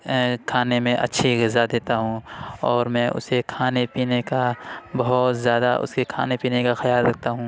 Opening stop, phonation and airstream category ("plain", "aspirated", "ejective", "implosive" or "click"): aspirated